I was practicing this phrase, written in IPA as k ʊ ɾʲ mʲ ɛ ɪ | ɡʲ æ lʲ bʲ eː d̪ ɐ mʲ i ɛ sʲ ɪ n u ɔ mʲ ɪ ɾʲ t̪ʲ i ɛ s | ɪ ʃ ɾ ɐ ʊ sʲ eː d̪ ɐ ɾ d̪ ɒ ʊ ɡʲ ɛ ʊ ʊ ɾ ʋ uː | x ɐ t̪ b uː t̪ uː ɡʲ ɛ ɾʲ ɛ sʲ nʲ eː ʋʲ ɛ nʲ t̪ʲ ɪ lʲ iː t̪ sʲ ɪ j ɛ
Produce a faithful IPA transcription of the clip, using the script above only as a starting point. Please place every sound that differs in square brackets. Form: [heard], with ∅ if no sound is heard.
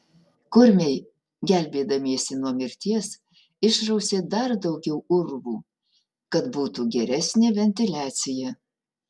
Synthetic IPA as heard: k ʊ ɾʲ mʲ ɛ ɪ | ɡʲ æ lʲ bʲ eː d̪ ɐ mʲ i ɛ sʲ ɪ n u ɔ mʲ ɪ ɾʲ t̪ʲ i ɛ s | ɪ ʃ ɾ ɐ ʊ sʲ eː d̪ ɐ ɾ d̪ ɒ ʊ ɡʲ ɛ ʊ ʊ ɾ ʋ uː | [k] ɐ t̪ b uː t̪ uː ɡʲ ɛ ɾʲ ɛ sʲ nʲ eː ʋʲ ɛ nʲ t̪ʲ ɪ lʲ [æː] t̪ sʲ ɪ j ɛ